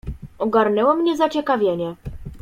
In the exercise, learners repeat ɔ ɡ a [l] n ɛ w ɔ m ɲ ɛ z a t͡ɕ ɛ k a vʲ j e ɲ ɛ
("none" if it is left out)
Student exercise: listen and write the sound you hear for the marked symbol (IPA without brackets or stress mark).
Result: ɾ